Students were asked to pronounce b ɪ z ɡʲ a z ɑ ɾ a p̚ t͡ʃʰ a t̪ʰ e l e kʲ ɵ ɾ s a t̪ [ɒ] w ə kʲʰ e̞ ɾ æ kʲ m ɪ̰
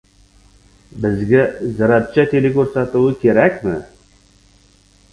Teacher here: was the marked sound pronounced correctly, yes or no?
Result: no